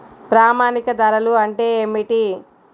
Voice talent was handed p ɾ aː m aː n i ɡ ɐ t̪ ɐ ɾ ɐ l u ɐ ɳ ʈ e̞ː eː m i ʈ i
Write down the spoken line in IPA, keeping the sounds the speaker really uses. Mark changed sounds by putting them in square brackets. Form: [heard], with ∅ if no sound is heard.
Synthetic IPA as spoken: p ɾ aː m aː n i [k] ɐ [d̪] ɐ ɾ ɐ l u ɐ ɳ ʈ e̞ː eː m i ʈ i